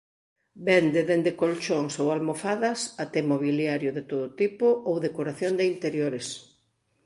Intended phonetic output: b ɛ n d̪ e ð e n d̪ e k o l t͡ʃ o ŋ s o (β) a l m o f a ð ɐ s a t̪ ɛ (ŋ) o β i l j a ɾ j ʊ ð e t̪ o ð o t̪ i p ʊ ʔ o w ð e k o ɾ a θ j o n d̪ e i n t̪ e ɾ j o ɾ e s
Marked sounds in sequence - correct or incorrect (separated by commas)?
incorrect, incorrect